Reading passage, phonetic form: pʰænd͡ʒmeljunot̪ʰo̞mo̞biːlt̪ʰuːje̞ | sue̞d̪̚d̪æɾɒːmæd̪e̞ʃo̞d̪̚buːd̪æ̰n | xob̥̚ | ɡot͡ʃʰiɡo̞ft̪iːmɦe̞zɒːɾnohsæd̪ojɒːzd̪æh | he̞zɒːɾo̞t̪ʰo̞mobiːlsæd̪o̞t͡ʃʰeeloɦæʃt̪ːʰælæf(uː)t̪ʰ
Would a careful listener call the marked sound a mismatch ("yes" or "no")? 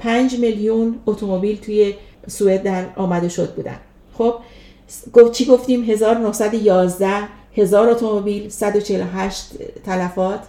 yes